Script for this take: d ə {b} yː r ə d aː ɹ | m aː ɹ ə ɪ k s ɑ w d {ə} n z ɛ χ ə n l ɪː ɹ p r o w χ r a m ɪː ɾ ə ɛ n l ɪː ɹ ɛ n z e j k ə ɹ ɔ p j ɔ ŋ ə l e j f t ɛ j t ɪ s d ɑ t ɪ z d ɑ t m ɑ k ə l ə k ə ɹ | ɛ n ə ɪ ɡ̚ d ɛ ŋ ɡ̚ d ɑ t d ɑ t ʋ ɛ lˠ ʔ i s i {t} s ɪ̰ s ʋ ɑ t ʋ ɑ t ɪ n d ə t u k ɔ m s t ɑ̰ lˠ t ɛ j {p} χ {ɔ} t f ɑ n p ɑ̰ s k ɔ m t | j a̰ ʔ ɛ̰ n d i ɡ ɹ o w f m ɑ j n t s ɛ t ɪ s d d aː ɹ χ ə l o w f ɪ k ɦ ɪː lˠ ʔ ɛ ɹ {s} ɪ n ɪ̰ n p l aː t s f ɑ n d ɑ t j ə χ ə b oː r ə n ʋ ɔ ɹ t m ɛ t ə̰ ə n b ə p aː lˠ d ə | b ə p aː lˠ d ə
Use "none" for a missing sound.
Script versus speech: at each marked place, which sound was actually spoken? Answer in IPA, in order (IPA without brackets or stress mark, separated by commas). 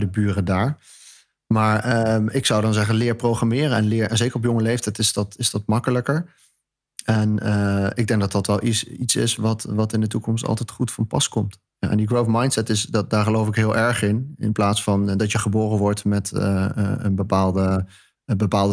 b, ɑ, t, t, u, χ